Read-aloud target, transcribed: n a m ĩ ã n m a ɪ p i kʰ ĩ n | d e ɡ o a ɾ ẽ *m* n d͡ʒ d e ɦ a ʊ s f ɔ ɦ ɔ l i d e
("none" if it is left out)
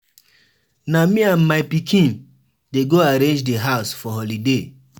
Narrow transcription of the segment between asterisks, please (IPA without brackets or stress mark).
none